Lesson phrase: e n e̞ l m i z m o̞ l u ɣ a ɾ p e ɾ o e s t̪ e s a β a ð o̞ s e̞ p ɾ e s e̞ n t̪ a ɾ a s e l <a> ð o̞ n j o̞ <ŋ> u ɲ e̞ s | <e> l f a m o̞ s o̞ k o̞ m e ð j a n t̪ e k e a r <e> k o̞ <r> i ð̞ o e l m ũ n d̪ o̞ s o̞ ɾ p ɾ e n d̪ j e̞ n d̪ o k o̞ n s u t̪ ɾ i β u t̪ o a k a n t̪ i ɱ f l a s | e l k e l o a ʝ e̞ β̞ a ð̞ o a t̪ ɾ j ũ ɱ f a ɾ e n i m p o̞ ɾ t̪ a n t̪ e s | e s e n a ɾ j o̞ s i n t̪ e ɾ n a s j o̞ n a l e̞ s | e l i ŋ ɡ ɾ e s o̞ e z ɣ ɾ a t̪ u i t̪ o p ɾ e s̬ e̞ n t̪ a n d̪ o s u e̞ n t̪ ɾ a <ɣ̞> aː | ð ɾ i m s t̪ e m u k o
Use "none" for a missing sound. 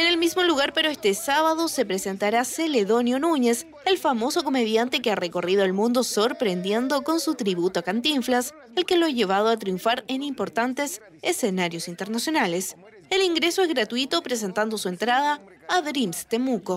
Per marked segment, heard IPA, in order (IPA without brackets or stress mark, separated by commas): e, n, e, e, r, ð̞